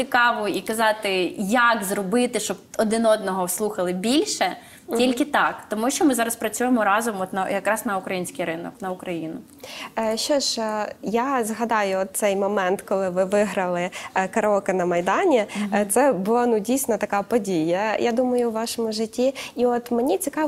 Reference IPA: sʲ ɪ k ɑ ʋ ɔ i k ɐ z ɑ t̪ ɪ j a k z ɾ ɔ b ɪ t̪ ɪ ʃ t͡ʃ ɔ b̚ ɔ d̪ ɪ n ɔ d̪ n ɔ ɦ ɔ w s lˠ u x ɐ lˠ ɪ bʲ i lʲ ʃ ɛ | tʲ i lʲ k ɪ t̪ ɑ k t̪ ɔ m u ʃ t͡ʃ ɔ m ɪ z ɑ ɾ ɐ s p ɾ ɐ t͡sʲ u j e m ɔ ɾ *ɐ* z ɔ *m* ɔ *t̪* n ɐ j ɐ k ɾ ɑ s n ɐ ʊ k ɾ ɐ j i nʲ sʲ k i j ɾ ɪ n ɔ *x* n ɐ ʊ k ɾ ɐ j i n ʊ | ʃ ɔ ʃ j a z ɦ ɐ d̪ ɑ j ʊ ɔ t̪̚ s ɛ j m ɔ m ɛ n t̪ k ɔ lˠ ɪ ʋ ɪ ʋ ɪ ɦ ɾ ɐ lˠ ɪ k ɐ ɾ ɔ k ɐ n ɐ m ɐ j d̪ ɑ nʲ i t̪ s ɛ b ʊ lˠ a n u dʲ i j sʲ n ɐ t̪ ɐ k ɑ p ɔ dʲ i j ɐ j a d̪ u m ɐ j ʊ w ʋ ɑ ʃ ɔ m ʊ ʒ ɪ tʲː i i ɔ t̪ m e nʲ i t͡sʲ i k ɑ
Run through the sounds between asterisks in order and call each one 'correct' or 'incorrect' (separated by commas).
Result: incorrect, correct, correct, incorrect